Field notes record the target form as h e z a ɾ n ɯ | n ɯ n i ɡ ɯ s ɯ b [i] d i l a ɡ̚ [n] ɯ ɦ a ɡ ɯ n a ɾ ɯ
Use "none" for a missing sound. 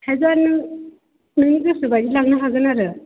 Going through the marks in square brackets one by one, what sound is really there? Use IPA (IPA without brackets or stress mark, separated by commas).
a, n